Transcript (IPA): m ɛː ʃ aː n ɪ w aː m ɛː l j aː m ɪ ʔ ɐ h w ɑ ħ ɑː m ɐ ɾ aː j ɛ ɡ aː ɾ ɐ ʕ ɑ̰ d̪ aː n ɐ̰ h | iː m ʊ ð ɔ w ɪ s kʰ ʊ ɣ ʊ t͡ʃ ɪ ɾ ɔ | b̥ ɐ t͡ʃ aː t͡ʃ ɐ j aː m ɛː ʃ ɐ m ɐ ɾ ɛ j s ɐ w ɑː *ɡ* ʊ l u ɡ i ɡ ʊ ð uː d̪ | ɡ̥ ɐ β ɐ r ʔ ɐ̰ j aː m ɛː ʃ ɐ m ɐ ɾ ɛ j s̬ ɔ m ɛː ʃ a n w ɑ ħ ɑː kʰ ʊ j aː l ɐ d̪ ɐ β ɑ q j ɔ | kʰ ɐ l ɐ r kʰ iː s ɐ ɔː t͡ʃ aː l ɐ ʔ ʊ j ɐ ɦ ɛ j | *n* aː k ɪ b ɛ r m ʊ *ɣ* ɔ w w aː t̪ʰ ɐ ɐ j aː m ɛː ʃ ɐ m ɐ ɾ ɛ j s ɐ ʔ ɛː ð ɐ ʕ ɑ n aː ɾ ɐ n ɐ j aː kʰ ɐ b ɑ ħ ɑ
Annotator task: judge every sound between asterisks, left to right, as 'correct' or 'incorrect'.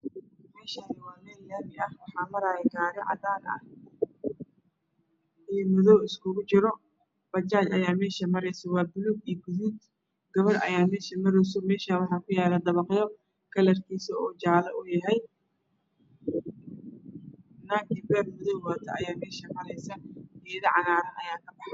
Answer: incorrect: b, correct, incorrect: ð

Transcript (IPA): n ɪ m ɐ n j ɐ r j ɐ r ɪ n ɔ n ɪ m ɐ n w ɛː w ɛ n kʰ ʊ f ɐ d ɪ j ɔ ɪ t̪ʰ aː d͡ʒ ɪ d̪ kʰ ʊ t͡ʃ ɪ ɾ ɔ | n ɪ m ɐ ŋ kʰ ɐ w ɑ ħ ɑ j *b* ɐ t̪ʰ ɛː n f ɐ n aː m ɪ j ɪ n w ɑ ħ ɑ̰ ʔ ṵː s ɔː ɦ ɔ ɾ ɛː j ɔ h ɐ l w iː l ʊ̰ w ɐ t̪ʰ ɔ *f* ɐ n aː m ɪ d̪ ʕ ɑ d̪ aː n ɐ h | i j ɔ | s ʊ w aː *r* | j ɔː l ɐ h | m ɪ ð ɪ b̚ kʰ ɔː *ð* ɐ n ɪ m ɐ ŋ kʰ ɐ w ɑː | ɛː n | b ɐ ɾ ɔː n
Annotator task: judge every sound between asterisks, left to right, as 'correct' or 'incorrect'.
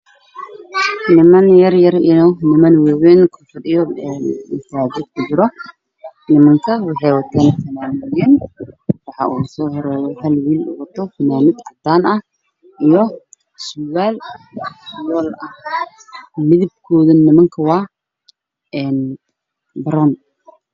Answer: incorrect: w, correct, incorrect: l, correct

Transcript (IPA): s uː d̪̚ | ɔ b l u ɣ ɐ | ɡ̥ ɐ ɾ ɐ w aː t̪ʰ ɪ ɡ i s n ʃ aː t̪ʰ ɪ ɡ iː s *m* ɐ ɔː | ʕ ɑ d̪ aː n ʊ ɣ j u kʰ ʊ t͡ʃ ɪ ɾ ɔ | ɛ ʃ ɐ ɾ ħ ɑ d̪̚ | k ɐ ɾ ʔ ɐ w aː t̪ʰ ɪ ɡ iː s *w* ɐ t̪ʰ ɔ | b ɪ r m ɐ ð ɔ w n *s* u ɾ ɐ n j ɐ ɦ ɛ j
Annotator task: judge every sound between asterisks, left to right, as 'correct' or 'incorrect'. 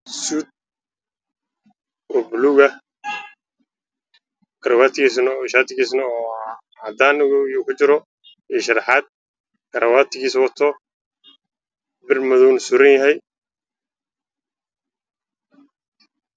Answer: incorrect: n, correct, correct

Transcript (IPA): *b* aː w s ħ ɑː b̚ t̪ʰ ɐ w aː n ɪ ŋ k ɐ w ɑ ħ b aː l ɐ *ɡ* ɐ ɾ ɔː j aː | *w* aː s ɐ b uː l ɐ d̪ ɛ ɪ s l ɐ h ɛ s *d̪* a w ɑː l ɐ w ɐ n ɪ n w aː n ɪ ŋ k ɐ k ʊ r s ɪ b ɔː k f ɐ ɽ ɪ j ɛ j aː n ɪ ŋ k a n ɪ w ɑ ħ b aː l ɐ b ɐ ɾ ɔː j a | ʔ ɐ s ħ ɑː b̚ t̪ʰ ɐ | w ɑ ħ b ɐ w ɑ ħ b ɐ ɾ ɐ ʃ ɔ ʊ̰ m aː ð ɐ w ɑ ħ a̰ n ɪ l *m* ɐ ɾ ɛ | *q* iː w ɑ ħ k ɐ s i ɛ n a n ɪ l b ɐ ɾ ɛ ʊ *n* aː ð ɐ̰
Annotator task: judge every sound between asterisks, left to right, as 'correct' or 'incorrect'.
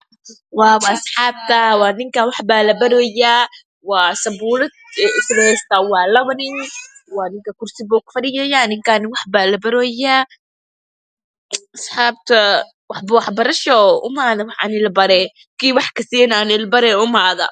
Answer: incorrect: w, incorrect: b, correct, incorrect: t̪, incorrect: b, incorrect: k, incorrect: m

